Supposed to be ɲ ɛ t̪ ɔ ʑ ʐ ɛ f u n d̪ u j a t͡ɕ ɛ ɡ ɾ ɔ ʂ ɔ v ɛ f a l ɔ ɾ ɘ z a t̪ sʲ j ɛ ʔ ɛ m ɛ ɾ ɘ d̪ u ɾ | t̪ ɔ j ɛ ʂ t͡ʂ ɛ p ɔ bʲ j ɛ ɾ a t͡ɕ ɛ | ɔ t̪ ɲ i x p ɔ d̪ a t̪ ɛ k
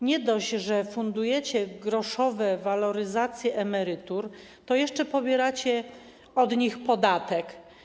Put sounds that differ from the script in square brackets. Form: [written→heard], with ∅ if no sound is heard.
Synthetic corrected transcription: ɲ ɛ [t̪→d̪] ɔ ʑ ʐ ɛ f u n d̪ u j [a→ɛ] t͡ɕ ɛ ɡ ɾ ɔ ʂ ɔ v ɛ [f→v] a l ɔ ɾ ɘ z a t̪ sʲ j ɛ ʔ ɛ m ɛ ɾ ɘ [d̪→t̪] u ɾ | t̪ ɔ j ɛ ʂ t͡ʂ ɛ p ɔ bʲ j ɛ ɾ a t͡ɕ ɛ | ɔ [t̪→d̪] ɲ i x p ɔ d̪ a t̪ ɛ k